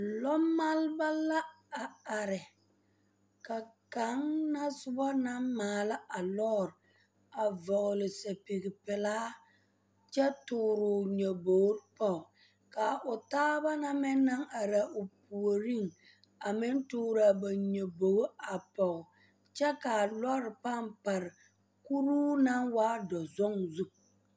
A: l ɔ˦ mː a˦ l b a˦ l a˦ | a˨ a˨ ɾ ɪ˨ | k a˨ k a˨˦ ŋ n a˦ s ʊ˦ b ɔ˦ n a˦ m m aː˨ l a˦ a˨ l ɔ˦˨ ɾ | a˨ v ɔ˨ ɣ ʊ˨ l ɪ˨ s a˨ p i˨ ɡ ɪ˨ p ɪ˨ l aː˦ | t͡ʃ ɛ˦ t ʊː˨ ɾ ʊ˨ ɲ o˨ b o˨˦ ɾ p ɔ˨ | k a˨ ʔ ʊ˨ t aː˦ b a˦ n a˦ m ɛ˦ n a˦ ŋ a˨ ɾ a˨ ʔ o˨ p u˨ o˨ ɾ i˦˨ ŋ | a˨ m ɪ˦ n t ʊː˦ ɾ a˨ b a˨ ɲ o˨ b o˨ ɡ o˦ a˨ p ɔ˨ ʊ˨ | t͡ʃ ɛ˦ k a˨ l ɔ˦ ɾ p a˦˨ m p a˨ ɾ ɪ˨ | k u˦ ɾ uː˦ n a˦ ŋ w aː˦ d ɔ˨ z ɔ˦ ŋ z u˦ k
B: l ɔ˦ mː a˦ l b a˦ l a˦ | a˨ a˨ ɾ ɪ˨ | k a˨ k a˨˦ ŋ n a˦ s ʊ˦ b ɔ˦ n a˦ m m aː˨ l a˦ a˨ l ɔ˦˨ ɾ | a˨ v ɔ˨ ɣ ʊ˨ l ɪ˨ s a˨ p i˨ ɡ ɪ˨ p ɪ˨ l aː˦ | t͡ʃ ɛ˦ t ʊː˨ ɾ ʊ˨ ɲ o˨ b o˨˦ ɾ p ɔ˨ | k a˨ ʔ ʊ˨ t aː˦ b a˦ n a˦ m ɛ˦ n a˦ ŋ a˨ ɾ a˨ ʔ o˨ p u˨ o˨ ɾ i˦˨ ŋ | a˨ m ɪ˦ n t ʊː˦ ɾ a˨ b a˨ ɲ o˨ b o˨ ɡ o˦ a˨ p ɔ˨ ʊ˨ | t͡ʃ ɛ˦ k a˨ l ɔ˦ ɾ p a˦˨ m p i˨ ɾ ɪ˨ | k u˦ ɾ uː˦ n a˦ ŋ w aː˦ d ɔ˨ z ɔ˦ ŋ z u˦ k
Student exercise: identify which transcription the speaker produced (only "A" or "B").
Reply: A